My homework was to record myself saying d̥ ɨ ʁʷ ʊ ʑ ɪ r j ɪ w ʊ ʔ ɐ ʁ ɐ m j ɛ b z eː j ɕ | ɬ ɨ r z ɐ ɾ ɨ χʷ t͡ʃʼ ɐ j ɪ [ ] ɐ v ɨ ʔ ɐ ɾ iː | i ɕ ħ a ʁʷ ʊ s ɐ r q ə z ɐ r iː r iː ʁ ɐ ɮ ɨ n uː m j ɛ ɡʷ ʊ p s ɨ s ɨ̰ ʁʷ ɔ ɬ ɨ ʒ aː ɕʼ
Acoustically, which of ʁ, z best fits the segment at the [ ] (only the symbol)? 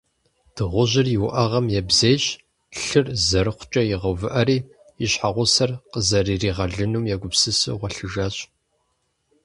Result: ʁ